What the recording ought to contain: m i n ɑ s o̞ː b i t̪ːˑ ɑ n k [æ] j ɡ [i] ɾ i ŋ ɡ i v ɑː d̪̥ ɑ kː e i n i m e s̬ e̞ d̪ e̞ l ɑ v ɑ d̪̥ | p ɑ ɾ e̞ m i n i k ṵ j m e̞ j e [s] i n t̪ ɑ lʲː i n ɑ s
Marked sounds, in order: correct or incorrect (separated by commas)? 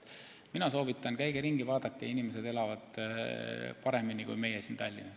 correct, incorrect, correct